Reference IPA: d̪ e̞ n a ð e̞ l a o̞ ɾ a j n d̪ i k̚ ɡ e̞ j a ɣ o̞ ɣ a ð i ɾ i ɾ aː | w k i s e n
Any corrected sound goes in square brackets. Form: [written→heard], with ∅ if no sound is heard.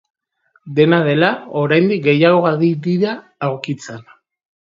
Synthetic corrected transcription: d̪ e̞ n a ð e̞ l a o̞ ɾ a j n d̪ i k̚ ɡ e̞ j a ɣ o̞ ɣ a ð i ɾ i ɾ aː | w k i [s→t͡s] e n